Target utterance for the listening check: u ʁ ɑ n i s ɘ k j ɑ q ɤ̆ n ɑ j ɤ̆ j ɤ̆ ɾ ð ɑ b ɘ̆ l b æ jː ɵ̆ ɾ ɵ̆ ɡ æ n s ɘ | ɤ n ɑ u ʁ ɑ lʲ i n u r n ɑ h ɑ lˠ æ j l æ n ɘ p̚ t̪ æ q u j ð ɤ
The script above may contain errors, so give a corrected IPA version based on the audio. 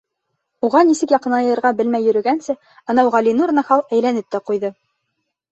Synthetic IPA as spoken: u ʁ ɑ n i s ɘ k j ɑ q ɤ̆ n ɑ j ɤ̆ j ɤ̆ ɾ ʁ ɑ b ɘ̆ l m æ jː ɵ̆ ɾ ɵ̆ ɡ æ n s ɘ | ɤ n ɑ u ʁ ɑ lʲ i n u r n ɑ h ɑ lˠ æ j l æ n ɘ p̚ t̪ æ q u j ð ɤ